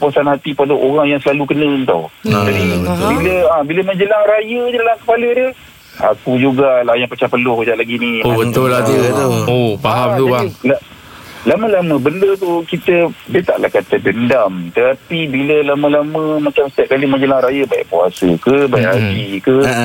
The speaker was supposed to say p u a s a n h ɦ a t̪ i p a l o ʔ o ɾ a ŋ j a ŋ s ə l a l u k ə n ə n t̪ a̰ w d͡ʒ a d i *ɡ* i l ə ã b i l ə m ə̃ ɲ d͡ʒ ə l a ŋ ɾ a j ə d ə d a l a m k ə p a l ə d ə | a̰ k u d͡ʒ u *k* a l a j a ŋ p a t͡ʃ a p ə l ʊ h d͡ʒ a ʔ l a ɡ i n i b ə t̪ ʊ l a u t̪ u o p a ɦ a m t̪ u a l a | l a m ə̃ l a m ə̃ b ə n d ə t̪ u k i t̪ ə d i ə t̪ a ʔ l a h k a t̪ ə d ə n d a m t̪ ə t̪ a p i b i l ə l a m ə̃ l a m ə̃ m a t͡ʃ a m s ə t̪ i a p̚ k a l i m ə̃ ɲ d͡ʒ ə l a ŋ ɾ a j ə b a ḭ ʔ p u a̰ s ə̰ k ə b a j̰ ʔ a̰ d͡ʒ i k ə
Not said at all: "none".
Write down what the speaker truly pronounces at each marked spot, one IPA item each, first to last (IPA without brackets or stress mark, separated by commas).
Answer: b, ɡ